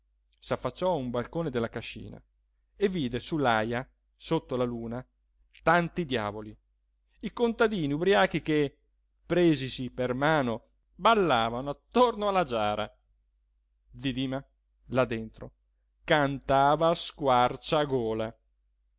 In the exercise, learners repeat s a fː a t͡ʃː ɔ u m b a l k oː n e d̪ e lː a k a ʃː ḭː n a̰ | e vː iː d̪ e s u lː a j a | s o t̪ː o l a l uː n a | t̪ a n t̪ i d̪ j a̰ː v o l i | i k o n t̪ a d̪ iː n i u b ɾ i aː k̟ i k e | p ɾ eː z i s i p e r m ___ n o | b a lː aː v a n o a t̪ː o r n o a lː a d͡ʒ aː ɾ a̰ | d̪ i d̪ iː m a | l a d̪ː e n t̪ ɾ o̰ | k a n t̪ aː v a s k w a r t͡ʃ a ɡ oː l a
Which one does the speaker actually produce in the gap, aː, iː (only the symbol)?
aː